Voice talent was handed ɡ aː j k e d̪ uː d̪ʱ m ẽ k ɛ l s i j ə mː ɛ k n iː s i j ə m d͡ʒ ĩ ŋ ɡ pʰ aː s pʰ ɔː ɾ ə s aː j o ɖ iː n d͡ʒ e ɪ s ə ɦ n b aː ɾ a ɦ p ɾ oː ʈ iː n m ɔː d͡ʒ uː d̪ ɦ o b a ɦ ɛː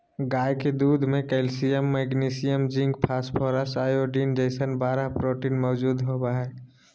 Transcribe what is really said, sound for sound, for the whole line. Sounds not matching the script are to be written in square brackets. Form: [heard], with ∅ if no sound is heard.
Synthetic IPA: ɡ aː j k e d̪ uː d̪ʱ m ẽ k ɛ l s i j ə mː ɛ [ɡ] n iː s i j ə m d͡ʒ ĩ ŋ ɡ pʰ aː s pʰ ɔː ɾ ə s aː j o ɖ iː n d͡ʒ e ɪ s ə [∅] n b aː ɾ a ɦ p ɾ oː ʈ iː n m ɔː d͡ʒ uː d̪ ɦ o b a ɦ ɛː

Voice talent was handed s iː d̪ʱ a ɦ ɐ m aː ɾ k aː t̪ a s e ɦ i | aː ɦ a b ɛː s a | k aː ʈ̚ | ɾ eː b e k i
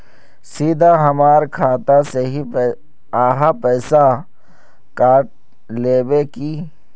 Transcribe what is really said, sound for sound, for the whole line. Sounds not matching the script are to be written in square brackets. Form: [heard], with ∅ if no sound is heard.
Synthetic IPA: s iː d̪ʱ a ɦ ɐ m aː ɾ [kʰ] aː t̪ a s e ɦ i | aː ɦ a [p] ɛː s a | k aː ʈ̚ | [l] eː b e k i

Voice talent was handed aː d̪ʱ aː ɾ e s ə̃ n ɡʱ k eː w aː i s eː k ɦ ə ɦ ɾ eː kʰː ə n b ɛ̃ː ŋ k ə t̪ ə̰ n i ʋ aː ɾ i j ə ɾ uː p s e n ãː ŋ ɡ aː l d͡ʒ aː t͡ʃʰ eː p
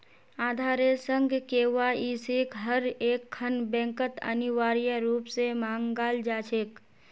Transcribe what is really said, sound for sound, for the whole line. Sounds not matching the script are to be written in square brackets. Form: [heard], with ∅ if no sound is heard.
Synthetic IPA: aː d̪ʱ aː ɾ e s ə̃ [ŋ] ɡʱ k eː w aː i s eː k ɦ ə [∅] ɾ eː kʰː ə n b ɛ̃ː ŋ k ə t̪ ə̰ n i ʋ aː ɾ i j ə ɾ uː p s e [m] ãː ŋ ɡ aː l d͡ʒ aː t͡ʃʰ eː [k]

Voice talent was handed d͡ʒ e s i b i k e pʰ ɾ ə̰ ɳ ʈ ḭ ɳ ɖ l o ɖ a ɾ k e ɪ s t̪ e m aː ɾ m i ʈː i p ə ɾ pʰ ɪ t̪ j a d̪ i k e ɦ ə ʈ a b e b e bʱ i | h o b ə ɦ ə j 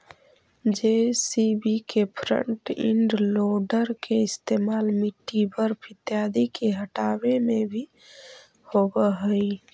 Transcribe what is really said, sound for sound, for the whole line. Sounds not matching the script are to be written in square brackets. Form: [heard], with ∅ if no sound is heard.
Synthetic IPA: d͡ʒ e s i b i k e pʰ ɾ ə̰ ɳ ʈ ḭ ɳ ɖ l o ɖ [ə] ɾ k e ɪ s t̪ e m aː [l] m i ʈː i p ə ɾ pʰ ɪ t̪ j a d̪ i k e ɦ ə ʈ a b e [m] e bʱ i | h o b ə ɦ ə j

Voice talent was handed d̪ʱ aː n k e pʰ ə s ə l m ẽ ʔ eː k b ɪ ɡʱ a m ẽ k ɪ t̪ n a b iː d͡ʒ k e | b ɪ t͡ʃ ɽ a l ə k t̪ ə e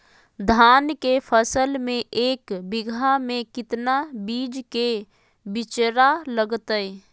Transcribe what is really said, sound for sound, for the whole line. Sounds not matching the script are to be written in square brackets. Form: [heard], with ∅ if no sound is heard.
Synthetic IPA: d̪ʱ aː n k e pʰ ə s ə l m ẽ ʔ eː k b ɪ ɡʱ a m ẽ k ɪ t̪ n a b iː d͡ʒ k e | b ɪ t͡ʃ [ɾ] a l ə [ɡ] t̪ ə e

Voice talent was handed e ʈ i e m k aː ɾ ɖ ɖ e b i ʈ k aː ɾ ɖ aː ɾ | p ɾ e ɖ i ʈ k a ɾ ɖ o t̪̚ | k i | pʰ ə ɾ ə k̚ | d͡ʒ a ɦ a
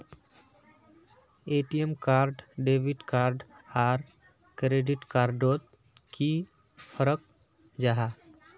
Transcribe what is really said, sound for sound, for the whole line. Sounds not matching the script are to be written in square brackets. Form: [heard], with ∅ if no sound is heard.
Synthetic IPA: e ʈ i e m k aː ɾ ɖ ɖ e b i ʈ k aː ɾ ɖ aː ɾ | [k] ɾ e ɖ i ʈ k a ɾ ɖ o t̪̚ | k i | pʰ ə ɾ ə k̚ | d͡ʒ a ɦ a

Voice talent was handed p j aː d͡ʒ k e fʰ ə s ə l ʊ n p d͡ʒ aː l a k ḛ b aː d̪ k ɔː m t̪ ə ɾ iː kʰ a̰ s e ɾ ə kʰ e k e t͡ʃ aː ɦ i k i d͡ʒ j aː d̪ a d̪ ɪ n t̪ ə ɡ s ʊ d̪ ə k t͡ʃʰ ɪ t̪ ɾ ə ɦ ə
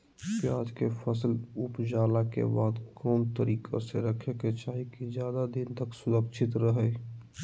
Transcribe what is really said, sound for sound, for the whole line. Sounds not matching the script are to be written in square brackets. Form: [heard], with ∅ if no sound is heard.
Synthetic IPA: p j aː d͡ʒ k e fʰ ə s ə l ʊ [∅] p d͡ʒ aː l a k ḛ b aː d̪ k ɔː m t̪ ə ɾ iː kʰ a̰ s e ɾ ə kʰ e k e t͡ʃ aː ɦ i k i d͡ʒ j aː d̪ a d̪ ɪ n t̪ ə [k] s ʊ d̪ ə k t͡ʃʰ ɪ t̪ ɾ ə ɦ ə

